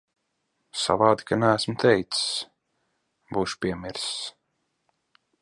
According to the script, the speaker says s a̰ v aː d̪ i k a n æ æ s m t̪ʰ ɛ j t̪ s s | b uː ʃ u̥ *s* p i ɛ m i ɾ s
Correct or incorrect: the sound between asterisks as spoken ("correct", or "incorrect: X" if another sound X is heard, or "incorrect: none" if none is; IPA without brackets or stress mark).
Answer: incorrect: none